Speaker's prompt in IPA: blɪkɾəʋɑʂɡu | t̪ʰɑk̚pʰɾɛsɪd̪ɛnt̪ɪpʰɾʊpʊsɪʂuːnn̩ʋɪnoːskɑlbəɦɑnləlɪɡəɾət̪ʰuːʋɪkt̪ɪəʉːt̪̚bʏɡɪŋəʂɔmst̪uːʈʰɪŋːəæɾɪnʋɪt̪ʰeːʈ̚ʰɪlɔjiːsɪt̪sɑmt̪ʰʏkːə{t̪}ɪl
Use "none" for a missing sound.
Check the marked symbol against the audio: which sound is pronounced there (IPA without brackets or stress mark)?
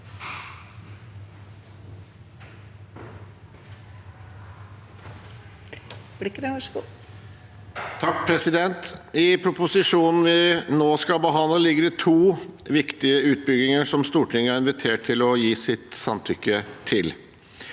t̪ʰ